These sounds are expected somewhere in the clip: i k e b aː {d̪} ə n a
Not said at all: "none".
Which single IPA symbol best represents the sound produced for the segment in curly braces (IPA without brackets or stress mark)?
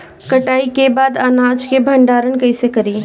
d̪